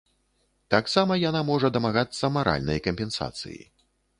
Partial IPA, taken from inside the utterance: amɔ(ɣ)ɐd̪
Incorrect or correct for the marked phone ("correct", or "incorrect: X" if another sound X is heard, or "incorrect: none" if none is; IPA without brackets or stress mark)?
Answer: incorrect: ʐ